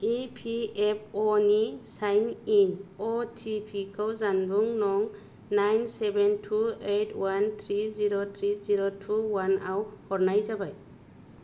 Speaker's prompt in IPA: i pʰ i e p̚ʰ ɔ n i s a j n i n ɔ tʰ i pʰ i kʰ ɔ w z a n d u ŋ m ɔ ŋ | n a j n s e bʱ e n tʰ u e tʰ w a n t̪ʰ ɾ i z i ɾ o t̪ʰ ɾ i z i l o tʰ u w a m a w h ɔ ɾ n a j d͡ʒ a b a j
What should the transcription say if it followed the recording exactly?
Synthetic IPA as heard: i pʰ i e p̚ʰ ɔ n i s a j n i n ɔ tʰ i pʰ i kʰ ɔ w z a n b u ŋ n ɔ ŋ | n a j n s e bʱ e n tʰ u e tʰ w a n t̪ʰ ɾ i z i ɾ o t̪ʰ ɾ i z i ɾ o tʰ u w a n a w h ɔ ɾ n a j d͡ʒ a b a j